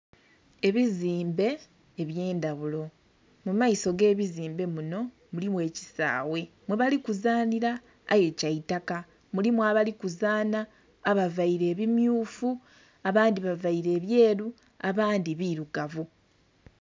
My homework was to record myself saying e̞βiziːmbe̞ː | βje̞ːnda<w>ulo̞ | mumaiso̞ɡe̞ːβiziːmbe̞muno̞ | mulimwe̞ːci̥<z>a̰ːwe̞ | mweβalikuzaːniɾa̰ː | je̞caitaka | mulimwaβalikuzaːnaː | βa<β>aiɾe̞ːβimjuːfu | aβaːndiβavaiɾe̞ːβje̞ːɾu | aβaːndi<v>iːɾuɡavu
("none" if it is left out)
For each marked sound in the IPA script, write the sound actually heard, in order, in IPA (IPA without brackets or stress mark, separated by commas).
β, s, v, β